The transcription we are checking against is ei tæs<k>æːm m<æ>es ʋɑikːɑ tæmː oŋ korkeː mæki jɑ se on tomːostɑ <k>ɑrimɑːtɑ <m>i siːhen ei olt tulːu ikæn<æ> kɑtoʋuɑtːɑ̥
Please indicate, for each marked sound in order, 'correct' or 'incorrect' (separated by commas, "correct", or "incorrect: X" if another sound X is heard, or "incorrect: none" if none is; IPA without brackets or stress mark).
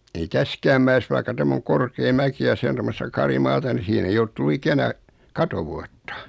correct, correct, correct, incorrect: n, correct